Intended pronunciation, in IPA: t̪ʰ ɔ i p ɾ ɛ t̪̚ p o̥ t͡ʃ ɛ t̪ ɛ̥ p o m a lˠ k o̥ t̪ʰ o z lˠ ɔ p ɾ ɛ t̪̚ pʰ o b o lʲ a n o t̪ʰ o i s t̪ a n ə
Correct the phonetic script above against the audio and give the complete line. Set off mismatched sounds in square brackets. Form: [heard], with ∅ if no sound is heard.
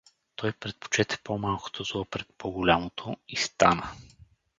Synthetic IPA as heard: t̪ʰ ɔ [j] p ɾ ɛ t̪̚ p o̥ t͡ʃ ɛ t̪ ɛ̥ p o m a lˠ k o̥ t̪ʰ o z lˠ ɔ p ɾ ɛ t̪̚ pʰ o [ɡ] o lʲ a [m] o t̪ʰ o i s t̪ a n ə